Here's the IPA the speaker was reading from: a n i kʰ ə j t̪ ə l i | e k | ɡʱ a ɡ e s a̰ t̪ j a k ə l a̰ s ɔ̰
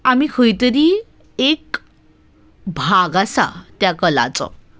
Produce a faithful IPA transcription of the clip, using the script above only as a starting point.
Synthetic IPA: a m i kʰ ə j t̪ ə ɾ i | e k | bʱ a ɡ a s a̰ t̪ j a k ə l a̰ t͡s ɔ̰